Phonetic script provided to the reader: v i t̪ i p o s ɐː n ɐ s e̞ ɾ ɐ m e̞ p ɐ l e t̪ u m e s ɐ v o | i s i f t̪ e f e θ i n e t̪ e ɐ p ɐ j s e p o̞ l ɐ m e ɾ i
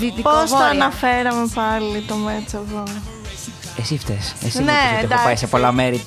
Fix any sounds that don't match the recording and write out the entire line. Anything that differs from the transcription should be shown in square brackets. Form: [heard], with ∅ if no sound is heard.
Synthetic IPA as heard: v i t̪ i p o s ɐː n ɐ [f] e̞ ɾ ɐ m e̞ p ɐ l [i] t̪ [o] m e [t͡s] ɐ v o | [e] s i f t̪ e [s] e [s] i n e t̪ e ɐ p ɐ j s e p o̞ l ɐ m e ɾ i